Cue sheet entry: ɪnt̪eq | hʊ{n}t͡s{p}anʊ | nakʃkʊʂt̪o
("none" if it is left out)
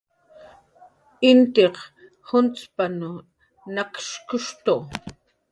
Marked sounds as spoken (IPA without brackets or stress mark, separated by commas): n, p